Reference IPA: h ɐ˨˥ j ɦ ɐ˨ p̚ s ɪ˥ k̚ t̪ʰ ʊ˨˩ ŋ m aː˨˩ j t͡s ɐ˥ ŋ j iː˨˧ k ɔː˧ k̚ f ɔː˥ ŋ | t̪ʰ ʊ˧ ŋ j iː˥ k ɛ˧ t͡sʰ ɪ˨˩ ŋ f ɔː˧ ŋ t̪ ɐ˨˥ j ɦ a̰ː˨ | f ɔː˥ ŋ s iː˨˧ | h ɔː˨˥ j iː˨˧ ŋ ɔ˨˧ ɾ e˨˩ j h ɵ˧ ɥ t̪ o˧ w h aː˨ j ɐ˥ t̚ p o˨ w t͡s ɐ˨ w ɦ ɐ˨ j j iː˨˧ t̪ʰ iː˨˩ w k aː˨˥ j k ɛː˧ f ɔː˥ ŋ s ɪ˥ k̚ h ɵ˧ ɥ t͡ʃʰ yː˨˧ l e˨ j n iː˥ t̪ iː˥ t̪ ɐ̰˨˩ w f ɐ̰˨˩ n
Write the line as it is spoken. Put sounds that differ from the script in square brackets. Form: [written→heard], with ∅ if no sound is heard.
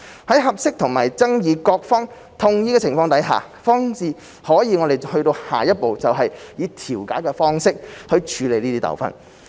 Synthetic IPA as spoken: h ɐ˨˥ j ɦ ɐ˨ p̚ s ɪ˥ k̚ t̪ʰ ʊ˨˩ ŋ m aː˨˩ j t͡s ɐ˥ ŋ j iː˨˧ k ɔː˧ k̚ f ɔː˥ ŋ | t̪ʰ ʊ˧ ŋ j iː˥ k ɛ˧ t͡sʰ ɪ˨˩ ŋ f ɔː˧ ŋ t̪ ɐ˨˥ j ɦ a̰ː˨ | f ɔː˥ ŋ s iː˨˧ | h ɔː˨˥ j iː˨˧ ŋ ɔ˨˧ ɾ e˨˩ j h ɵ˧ ɥ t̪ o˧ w h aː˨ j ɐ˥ t̚ p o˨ w t͡s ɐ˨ w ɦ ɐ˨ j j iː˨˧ t̪ʰ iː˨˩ w k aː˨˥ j k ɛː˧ f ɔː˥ ŋ s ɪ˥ k̚ h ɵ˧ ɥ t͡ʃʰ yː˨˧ l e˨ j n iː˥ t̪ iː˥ t̪ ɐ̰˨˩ w f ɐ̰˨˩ n